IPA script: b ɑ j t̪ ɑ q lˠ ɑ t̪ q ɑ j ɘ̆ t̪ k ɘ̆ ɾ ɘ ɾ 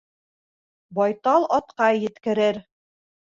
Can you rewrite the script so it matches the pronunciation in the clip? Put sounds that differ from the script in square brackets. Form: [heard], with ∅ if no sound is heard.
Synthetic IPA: b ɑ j t̪ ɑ [∅] lˠ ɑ t̪ q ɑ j ɘ̆ t̪ k ɘ̆ ɾ ɘ ɾ